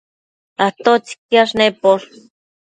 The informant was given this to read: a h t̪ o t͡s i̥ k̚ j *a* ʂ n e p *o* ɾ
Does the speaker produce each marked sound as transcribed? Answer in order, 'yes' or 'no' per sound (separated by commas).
yes, yes